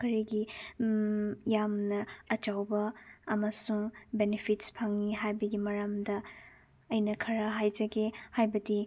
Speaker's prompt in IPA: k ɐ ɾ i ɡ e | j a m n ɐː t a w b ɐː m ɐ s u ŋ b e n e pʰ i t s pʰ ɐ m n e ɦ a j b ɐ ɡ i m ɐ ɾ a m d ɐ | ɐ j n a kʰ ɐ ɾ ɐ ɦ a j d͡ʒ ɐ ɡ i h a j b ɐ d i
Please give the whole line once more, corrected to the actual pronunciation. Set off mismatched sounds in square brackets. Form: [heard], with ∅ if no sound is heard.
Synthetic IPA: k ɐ ɾ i ɡ [i] | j a m n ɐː [t͡ʃ] a w b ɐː m ɐ s u ŋ b e n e pʰ i t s pʰ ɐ [ŋ] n [i] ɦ a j b ɐ ɡ i m ɐ ɾ a m d ɐ | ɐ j n [ɐ] kʰ ɐ ɾ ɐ ɦ a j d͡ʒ ɐ ɡ [e] h a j b ɐ d i

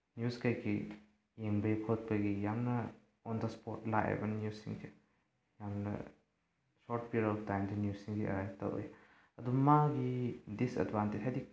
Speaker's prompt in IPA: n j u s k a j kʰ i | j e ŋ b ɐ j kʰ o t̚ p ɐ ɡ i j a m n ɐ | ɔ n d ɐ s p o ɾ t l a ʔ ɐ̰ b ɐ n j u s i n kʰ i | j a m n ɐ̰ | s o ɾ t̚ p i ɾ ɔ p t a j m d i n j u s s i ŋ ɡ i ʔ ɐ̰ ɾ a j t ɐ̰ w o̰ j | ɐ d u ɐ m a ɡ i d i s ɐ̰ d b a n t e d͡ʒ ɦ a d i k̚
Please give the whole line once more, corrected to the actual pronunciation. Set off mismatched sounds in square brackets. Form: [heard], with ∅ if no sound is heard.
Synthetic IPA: n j u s k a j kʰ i | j e ŋ b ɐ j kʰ o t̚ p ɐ ɡ i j a m n ɐ | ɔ n d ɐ s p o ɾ t l a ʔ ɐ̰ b ɐ n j u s i [ŋ] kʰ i | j a m n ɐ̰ | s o ɾ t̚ p i ɾ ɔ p t a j m d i n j u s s i ŋ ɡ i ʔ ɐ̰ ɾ a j t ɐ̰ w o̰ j | ɐ d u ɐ m a ɡ i d i s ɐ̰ d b a n t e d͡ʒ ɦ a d i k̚

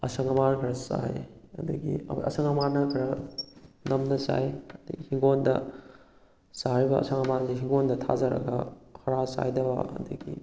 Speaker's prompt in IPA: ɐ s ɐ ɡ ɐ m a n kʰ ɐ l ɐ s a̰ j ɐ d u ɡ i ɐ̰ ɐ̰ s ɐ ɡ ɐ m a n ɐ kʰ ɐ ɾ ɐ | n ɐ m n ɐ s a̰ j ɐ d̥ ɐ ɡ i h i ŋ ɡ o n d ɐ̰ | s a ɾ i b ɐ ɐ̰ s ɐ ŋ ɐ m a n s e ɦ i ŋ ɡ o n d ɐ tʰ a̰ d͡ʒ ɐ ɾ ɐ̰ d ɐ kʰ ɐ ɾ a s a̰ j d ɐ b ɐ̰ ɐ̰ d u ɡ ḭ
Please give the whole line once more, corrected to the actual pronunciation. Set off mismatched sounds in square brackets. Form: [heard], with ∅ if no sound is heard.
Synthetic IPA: ɐ s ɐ [ŋ] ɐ m a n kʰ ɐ [ɾ] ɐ s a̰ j ɐ d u ɡ i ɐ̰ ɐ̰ s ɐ [ŋ] ɐ m a n ɐ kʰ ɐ ɾ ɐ | n ɐ m n ɐ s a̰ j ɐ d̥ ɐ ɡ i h i ŋ ɡ o n d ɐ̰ | s a ɾ i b ɐ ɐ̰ s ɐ ŋ ɐ m a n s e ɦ i ŋ ɡ o n d ɐ tʰ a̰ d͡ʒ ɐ ɾ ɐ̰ [ɡ] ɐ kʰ ɐ ɾ a s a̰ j d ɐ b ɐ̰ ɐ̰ d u ɡ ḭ

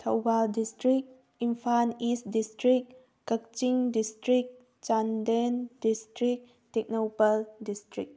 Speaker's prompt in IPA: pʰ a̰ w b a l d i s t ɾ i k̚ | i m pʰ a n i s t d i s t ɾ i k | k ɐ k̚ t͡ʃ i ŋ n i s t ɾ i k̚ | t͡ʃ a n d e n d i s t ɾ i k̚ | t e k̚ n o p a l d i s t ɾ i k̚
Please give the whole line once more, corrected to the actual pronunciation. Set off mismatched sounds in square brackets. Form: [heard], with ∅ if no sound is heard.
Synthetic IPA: [tʰ] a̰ w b a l d i s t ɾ i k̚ | i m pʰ a n i s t d i s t ɾ i k | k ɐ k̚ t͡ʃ i ŋ [d] i s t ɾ i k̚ | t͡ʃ a n d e n d i s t ɾ i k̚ | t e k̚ n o p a l d i s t ɾ i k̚

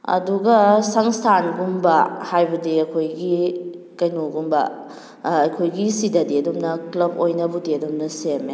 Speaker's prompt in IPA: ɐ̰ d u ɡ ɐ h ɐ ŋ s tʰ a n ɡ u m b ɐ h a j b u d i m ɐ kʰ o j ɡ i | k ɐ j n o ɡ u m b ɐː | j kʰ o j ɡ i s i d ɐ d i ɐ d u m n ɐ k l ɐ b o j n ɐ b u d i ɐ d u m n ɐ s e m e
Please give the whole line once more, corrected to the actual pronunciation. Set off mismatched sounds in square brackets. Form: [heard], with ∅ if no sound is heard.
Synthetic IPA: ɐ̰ d u ɡ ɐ [s] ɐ ŋ s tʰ a n ɡ u m b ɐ h a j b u d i [∅] ɐ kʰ o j ɡ i | k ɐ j n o ɡ u m b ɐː | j kʰ o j ɡ i s i d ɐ d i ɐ d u m n ɐ k l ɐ b o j n ɐ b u d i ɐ d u m n ɐ s e m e

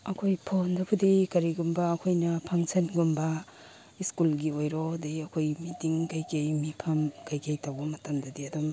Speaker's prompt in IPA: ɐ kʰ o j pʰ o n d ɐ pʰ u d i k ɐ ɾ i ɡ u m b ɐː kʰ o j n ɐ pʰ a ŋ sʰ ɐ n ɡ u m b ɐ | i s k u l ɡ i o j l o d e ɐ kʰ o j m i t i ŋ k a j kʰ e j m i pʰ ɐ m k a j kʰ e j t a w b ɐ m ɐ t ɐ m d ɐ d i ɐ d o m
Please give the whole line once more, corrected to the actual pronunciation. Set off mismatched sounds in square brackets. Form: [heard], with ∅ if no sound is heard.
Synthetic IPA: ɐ kʰ o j pʰ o n d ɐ pʰ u d i k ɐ ɾ i ɡ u m b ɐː kʰ o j n ɐ pʰ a ŋ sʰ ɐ n ɡ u m b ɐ | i s k u l ɡ i o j [ɾ] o d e ɐ kʰ o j m i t i ŋ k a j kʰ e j m i pʰ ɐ m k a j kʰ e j t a w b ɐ m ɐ t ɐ m d ɐ d i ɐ d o m

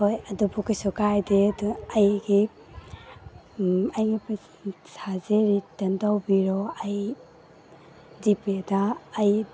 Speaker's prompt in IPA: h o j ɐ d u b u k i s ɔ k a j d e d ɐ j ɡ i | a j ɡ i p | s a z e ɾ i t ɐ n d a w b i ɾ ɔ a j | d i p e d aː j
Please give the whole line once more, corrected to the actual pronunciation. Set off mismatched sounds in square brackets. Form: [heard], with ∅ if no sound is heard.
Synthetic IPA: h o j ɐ d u b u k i s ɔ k a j d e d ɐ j ɡ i | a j ɡ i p | s a z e ɾ i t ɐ n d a w b i ɾ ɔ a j | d i p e d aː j

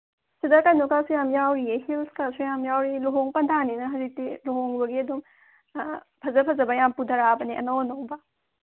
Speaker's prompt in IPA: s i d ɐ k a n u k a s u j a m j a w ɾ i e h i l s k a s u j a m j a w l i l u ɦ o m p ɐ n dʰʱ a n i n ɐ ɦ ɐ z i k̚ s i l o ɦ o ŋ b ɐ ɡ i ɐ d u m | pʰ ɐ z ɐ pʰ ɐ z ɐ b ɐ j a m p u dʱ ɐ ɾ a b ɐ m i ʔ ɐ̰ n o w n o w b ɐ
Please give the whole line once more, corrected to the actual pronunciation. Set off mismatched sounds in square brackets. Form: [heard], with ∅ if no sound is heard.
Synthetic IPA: s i d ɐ k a n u k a s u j a m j a w ɾ i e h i l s k a s u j a m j a w [ɾ] i l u ɦ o [ŋ] p ɐ n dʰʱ a n i n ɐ ɦ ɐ z i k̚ [t] i l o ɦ o ŋ b ɐ ɡ i ɐ d u m | pʰ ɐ z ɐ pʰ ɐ z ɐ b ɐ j a m p u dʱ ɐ ɾ a b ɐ [n] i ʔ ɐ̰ n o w n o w b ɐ

